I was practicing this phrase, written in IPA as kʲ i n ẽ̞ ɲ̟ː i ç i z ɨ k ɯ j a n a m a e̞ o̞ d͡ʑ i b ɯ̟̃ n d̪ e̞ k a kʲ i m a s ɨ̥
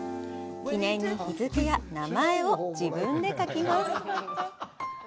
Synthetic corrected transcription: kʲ i n ẽ̞ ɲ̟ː i ç i z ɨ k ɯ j a n a m a e̞ o̞ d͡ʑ i b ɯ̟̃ n d̪ e̞ k a kʲ i m a s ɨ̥